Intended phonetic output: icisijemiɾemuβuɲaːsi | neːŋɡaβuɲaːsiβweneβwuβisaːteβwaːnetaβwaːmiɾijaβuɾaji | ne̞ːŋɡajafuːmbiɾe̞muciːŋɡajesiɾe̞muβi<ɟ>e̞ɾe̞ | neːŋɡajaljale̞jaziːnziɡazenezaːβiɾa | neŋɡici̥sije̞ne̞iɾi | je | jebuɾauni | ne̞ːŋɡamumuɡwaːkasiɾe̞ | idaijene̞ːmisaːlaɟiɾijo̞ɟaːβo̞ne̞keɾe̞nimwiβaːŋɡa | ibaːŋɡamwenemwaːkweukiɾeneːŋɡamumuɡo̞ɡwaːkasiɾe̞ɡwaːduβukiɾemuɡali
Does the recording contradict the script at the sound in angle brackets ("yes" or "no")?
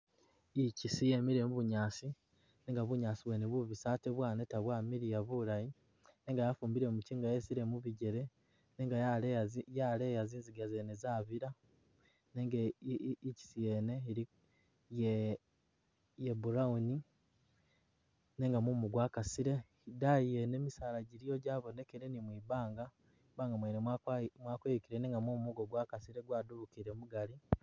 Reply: no